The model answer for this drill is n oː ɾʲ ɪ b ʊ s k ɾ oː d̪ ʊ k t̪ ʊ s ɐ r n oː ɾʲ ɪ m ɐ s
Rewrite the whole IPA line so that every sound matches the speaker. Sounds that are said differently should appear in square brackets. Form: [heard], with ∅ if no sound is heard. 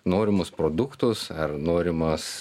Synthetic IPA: n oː ɾʲ ɪ [m] ʊ s [p] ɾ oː d̪ ʊ k t̪ ʊ s ɐ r n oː ɾʲ ɪ m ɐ s